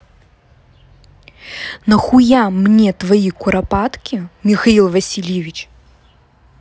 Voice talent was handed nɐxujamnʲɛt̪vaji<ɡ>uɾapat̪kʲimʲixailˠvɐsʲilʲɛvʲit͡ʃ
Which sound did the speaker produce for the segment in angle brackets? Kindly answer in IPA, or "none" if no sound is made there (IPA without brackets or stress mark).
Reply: k